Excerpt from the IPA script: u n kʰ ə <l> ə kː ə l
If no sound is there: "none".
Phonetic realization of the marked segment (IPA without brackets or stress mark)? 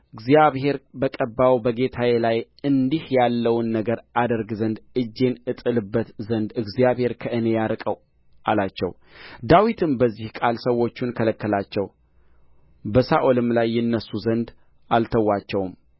l